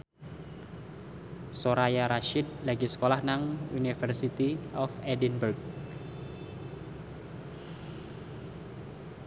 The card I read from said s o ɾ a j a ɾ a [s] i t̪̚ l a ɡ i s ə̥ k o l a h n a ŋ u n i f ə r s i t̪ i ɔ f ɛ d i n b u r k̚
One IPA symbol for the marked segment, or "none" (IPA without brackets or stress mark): ʃ